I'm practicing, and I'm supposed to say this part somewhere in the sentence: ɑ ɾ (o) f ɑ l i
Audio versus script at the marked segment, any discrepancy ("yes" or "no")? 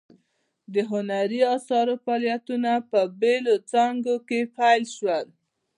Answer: no